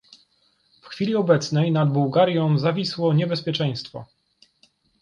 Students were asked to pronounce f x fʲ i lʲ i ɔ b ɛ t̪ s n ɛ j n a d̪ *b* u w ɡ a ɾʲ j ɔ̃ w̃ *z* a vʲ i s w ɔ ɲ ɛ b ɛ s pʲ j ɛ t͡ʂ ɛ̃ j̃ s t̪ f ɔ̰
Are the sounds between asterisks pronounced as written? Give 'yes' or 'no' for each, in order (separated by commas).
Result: yes, yes